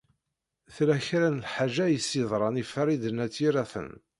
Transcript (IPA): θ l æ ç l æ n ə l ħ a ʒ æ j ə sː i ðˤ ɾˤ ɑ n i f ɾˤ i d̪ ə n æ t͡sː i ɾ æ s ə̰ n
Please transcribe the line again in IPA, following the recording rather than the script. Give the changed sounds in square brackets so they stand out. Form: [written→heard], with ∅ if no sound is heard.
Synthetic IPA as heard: θ l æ ç [l→ɾ] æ n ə l ħ a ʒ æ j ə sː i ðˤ ɾˤ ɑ n i f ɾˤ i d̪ ə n æ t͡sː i ɾ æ [s→θ] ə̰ n